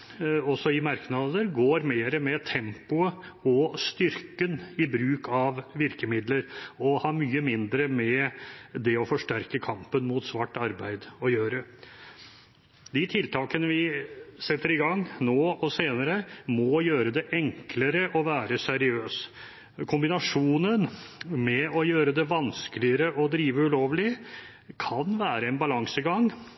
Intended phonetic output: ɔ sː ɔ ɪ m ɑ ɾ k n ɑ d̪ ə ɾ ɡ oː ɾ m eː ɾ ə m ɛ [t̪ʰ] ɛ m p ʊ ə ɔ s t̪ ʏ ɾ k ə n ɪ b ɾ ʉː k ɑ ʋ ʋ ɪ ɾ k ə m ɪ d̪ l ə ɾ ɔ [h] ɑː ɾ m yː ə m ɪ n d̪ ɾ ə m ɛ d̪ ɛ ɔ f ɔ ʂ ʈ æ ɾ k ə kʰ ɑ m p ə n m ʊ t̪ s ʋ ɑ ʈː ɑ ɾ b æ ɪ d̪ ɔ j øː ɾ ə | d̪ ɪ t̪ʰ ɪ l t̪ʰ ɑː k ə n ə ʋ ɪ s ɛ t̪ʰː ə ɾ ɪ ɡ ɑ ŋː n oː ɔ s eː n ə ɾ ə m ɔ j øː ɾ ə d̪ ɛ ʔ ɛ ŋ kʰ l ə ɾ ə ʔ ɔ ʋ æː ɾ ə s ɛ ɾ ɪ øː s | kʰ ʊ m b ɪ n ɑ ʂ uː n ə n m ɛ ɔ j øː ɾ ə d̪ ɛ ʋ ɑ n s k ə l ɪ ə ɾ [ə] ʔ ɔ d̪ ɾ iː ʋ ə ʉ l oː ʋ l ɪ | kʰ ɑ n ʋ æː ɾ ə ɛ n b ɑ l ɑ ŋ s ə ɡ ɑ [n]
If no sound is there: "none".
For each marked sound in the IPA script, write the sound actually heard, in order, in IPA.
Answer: t̪ʰ, h, ə, ŋ

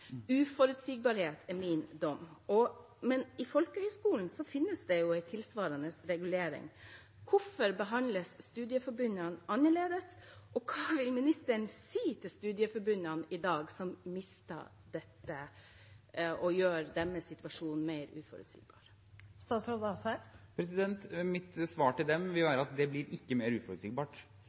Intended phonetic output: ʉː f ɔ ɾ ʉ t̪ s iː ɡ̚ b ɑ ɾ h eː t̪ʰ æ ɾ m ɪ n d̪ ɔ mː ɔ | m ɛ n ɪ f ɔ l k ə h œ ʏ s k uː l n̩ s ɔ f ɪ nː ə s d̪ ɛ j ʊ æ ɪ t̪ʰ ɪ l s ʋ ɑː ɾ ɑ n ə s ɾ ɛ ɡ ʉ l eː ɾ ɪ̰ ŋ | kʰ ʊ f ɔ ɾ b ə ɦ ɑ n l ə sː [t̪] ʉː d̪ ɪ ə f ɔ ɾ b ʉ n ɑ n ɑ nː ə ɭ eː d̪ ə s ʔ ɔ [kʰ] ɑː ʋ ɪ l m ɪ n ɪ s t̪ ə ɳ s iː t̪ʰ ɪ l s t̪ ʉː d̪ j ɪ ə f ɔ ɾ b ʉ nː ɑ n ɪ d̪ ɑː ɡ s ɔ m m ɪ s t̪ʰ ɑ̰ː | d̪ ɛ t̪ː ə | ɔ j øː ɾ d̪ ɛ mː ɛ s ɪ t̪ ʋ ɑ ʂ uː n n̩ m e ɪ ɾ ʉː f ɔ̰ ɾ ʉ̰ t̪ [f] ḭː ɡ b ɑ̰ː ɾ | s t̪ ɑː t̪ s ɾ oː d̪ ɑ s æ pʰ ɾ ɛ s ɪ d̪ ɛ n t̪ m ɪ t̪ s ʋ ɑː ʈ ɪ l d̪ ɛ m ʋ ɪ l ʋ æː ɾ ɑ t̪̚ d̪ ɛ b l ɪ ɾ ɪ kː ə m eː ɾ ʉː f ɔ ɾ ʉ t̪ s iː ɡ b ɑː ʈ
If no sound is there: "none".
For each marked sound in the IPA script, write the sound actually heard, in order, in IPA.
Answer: t̪, kʰ, s

